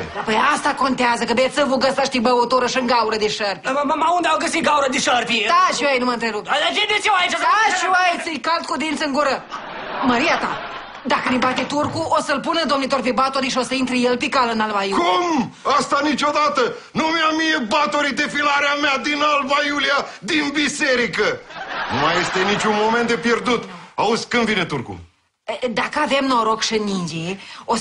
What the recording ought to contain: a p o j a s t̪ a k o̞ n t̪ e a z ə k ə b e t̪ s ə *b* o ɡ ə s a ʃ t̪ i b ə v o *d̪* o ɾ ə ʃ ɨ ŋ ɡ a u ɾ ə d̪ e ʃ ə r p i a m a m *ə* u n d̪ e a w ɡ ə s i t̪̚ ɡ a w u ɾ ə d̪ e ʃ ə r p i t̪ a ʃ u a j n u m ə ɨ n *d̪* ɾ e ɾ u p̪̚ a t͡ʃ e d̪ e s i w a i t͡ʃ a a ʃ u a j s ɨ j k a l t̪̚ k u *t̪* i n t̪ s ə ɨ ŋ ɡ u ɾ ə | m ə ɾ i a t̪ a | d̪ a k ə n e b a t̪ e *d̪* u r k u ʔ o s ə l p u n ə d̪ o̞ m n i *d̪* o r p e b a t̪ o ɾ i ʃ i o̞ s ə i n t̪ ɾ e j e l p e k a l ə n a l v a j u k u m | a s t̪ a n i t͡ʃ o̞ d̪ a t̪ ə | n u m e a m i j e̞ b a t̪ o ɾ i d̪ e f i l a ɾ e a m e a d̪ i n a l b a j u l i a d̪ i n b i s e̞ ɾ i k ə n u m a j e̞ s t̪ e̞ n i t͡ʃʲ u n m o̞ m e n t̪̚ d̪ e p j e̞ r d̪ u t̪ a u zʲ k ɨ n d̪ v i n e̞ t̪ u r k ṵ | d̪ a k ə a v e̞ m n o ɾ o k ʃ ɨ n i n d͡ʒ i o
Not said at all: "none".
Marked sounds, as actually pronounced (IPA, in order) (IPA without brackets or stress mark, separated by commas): v, t̪, a, t̪, d̪, t̪, t̪